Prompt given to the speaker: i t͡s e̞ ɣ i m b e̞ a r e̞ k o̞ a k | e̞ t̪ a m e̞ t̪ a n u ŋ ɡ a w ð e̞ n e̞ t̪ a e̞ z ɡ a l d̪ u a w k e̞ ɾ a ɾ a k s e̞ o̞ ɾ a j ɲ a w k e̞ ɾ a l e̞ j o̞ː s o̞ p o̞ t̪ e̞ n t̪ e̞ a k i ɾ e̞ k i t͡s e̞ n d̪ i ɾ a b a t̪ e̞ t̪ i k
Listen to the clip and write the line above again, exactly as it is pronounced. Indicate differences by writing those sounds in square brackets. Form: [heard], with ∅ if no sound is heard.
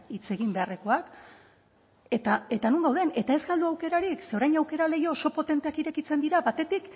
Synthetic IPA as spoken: i t͡s e̞ ɣ i m b e̞ a r e̞ k o̞ a k | e̞ t̪ a [∅] e̞ t̪ a n u ŋ ɡ a w ð e̞ n e̞ t̪ a e̞ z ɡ a l d̪ u a w k e̞ ɾ a ɾ [i] k s e̞ o̞ ɾ a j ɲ a w k e̞ ɾ a l e̞ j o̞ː s o̞ p o̞ t̪ e̞ n t̪ e̞ a k i ɾ e̞ k i t͡s e̞ n d̪ i ɾ a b a t̪ e̞ t̪ i k